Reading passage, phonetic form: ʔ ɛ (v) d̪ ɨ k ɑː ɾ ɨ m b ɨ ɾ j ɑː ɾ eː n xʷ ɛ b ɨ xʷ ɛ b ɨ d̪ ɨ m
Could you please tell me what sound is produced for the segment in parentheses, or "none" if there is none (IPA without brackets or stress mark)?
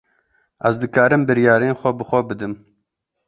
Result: z